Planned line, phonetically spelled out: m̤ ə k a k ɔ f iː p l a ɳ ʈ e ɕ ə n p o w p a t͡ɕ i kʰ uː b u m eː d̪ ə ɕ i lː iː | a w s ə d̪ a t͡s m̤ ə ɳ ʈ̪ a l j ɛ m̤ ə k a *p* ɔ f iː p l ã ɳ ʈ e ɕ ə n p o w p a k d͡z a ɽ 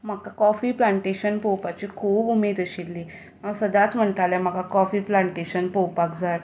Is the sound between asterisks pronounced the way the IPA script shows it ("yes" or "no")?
no